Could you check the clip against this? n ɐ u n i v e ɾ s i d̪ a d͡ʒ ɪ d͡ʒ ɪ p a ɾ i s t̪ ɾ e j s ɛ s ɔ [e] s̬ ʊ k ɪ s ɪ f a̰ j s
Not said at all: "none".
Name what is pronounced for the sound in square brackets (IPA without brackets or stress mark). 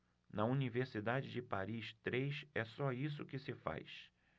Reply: i